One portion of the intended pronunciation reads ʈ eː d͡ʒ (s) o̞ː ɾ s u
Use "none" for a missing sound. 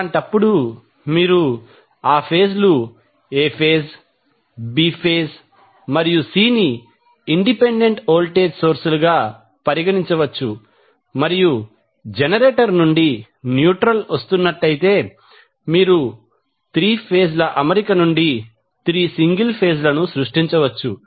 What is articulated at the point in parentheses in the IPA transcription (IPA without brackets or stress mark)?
s